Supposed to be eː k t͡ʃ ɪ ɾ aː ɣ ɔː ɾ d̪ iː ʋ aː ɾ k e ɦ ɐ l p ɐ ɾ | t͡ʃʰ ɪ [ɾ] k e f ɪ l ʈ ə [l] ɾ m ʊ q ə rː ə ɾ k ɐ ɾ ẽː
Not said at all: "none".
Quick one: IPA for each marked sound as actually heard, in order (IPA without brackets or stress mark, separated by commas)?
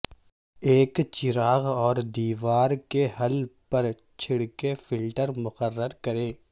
ɽ, none